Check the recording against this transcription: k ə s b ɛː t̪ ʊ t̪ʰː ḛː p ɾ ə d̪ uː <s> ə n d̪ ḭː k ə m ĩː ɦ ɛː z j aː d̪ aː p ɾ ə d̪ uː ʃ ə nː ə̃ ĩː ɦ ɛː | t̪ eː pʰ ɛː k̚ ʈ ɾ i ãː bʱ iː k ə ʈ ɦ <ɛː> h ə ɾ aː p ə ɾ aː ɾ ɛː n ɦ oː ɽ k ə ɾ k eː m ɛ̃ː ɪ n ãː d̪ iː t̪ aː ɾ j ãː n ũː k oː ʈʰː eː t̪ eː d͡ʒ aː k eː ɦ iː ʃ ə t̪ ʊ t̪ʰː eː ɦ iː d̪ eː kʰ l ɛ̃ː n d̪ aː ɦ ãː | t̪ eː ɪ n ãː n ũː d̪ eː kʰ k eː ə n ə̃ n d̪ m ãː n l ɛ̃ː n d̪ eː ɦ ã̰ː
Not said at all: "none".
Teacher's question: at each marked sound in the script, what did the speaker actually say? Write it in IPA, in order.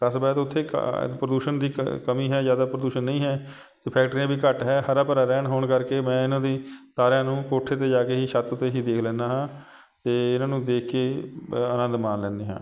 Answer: ʃ, ɛː

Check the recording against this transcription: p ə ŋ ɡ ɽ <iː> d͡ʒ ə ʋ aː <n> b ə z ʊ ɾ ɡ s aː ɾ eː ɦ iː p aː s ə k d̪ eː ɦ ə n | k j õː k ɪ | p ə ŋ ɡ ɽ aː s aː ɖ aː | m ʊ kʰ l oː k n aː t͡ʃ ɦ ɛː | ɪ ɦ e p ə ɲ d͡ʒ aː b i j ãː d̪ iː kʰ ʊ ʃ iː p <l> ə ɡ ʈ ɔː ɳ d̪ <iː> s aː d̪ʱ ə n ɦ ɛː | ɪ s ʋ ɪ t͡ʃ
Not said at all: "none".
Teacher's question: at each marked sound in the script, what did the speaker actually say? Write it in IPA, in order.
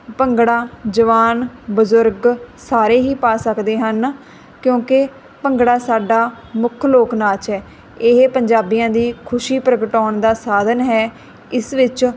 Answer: aː, n, ɾ, aː

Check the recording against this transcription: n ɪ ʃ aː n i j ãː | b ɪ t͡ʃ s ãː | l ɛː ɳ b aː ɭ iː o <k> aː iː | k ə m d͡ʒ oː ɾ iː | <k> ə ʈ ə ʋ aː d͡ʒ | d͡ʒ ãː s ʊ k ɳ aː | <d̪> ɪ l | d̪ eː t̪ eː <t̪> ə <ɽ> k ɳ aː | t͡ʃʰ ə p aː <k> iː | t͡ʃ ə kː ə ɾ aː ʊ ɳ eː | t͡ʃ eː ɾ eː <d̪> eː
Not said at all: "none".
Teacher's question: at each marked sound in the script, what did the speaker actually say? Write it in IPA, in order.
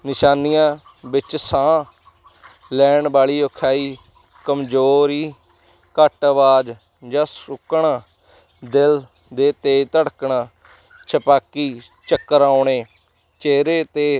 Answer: kʰ, k, d̪, t̪, ɽ, k, t̪

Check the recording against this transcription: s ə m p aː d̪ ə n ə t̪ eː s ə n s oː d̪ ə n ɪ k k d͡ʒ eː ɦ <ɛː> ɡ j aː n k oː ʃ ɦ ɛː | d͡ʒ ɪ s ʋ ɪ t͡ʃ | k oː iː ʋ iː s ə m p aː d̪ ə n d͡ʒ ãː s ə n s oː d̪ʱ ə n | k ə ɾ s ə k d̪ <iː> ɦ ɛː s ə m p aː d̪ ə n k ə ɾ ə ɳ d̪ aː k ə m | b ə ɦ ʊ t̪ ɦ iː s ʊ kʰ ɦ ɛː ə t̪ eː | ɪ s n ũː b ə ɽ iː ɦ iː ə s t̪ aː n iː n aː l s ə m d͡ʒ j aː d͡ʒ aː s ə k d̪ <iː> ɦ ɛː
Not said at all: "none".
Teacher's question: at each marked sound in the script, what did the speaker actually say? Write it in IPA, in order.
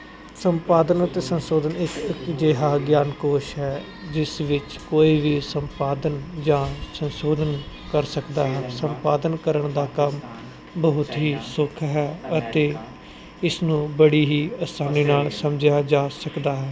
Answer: aː, aː, aː

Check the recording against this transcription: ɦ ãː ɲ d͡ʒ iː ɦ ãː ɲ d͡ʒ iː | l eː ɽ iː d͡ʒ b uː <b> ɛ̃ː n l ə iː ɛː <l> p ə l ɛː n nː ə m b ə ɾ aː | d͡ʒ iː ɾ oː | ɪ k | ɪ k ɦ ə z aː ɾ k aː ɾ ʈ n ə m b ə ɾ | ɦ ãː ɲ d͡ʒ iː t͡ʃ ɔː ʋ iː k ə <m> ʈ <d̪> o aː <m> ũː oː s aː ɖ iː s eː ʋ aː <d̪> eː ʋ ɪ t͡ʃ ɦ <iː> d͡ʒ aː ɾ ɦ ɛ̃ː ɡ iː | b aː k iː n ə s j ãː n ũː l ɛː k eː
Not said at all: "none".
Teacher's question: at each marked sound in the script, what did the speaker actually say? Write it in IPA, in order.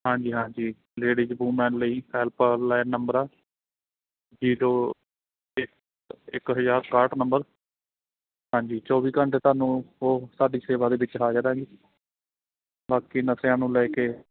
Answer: m, l, ɳ, t̪, n, d̪, aː

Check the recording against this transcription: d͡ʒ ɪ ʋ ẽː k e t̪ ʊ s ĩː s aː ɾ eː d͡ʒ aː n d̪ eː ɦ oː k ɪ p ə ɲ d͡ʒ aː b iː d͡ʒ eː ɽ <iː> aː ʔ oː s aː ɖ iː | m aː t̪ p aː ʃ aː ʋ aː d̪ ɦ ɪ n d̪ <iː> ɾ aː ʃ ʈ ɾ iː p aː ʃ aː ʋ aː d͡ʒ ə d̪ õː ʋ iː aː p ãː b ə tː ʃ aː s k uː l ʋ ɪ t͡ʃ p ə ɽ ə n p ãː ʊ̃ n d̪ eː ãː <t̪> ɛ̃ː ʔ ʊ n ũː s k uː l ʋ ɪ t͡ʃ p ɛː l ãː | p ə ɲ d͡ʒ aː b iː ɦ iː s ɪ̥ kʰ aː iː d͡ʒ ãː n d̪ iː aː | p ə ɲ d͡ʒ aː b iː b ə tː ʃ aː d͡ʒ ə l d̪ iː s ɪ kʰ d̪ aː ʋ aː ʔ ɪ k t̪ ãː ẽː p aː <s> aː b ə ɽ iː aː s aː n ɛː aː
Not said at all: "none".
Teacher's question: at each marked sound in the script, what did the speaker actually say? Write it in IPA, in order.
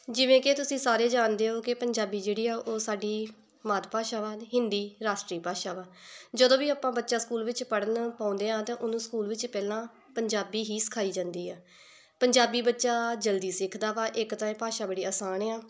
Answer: iː, iː, t̪, ʃ

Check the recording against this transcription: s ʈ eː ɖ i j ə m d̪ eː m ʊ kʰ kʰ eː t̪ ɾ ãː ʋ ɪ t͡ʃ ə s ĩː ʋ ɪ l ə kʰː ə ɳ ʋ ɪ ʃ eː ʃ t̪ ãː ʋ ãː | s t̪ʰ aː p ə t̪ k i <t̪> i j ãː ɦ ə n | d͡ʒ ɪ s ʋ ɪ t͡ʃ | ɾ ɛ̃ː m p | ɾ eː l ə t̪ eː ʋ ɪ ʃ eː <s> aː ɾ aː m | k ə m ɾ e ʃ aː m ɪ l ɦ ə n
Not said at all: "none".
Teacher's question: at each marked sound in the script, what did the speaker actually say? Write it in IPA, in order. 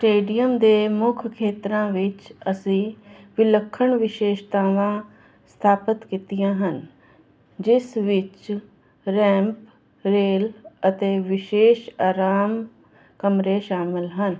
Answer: t̪, ʃ

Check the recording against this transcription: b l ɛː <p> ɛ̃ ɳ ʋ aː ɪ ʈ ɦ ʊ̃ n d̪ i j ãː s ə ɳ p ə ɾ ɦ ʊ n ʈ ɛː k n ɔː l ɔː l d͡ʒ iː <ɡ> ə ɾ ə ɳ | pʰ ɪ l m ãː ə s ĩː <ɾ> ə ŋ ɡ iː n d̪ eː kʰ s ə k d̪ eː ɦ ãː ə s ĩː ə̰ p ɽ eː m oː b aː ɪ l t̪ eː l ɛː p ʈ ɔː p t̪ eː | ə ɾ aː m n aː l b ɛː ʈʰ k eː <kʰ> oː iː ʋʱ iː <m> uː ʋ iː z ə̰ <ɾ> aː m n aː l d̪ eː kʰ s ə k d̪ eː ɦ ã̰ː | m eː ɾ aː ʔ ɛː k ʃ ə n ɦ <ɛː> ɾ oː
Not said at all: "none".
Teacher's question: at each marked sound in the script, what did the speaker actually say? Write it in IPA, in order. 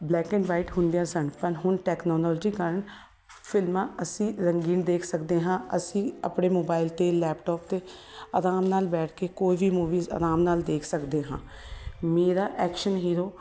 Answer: k, k, ɾ, k, m, ɾ, iː

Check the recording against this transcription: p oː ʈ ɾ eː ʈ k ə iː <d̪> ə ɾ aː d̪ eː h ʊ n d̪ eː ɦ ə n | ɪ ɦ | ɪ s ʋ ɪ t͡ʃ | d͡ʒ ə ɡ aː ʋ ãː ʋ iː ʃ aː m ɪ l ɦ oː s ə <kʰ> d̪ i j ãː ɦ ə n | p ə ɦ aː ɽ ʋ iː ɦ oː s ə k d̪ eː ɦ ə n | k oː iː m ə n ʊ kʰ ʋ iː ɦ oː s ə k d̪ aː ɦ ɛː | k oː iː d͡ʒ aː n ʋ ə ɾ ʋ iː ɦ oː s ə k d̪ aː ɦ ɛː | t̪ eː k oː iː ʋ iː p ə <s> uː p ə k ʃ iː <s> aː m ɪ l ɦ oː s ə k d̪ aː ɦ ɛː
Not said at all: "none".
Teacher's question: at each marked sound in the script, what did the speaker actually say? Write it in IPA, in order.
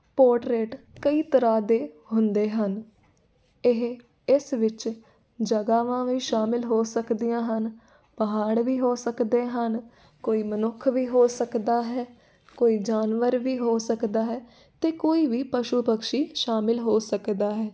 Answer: t̪, k, ʃ, ʃ

